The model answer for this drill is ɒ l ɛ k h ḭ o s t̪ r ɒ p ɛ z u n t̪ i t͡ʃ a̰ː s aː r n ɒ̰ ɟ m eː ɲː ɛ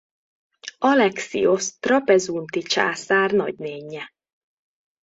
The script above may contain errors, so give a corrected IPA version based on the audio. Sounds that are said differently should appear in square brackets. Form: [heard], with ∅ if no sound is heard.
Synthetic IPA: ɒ l ɛ k [s] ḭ o s t̪ r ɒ p ɛ z u n t̪ i t͡ʃ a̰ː s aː r n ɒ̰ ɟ [n] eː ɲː ɛ